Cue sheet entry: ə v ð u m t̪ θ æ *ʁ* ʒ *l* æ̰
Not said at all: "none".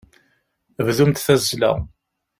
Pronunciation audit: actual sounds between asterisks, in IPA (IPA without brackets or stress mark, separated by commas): z, l